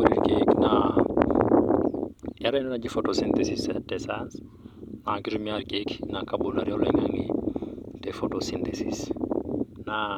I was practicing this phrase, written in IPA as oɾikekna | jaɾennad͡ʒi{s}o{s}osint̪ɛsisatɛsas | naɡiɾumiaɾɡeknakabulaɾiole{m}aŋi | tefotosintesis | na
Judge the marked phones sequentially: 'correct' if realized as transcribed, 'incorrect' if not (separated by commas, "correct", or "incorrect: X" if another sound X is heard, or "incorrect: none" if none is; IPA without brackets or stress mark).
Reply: incorrect: f, incorrect: t, incorrect: ŋ